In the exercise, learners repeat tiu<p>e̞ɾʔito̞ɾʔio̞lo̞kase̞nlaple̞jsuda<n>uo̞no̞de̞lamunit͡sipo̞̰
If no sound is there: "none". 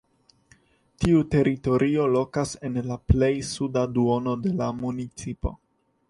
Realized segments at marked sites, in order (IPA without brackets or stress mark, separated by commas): t, d